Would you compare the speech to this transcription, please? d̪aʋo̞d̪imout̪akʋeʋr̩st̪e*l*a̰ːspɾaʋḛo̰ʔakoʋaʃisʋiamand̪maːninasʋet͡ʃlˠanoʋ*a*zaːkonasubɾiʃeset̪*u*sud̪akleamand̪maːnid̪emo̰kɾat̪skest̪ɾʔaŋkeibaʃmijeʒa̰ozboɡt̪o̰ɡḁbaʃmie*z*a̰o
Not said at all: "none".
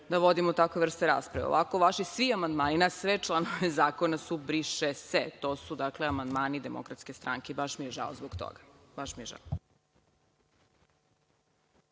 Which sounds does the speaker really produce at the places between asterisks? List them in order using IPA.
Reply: ɾ, e, o, ʒ

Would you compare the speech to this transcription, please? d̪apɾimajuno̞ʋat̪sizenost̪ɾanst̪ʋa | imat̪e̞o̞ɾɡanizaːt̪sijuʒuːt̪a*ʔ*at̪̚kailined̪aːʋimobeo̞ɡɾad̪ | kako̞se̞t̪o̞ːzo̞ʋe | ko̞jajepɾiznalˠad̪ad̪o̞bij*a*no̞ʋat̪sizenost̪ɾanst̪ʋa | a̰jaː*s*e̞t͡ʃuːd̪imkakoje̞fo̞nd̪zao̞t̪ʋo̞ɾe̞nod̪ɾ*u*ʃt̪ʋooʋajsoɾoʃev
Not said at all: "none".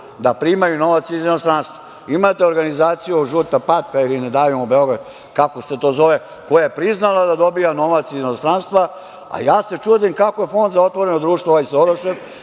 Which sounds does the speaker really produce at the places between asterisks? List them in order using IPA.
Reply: p, a, s, uː

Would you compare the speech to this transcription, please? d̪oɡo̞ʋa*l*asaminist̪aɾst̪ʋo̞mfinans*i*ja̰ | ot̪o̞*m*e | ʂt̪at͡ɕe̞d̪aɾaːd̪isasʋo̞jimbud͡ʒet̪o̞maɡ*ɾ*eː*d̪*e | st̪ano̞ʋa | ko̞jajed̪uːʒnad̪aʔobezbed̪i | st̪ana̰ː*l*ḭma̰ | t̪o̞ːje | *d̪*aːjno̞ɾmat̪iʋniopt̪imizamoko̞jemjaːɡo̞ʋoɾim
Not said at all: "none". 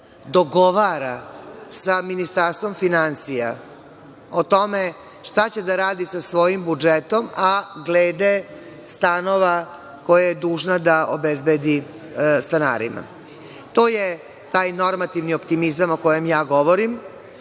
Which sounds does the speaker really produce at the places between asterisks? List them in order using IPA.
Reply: ɾ, i, m, l, d̪, ɾ, t̪

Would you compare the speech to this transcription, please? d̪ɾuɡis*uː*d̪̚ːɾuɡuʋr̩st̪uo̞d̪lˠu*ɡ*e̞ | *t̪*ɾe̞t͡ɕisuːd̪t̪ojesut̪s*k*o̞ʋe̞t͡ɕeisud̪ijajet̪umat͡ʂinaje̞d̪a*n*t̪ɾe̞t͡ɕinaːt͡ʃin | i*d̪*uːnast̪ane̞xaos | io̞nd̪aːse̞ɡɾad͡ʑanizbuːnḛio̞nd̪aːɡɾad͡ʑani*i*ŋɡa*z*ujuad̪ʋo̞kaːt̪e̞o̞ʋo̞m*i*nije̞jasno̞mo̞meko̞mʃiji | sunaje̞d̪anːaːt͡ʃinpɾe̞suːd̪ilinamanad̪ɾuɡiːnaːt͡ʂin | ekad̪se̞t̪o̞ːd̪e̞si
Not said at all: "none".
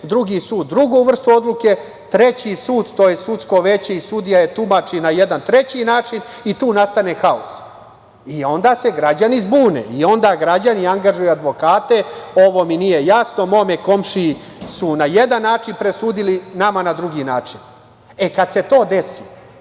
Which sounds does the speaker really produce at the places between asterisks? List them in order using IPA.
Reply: uː, k, t̪, k, n, t̪, a, ʒ, i

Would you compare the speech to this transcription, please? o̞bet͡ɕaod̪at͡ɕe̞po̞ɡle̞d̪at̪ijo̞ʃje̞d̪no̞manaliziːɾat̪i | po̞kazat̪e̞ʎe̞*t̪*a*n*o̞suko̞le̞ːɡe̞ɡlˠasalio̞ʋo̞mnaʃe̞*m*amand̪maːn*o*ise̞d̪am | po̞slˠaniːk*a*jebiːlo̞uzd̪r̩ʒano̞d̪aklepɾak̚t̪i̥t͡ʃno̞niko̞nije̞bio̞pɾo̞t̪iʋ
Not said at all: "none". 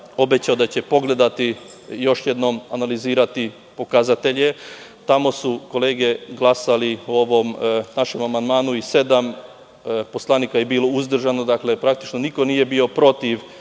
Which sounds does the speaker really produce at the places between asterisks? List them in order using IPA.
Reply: t̪, m, m, u, a

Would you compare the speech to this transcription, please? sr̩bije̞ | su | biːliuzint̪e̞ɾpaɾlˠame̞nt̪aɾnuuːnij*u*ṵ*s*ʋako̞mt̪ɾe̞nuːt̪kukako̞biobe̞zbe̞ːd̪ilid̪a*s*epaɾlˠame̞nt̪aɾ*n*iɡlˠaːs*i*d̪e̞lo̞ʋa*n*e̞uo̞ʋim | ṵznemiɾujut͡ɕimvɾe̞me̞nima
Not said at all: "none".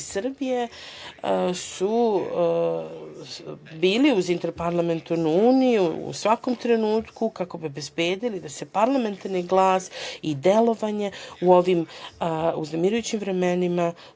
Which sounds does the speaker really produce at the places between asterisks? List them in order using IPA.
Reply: u, s, s, n, i, ɲ

